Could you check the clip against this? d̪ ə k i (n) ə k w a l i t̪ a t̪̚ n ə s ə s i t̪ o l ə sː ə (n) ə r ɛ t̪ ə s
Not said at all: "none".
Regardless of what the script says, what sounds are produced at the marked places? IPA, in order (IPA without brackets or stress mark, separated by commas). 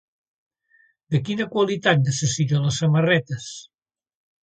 n, m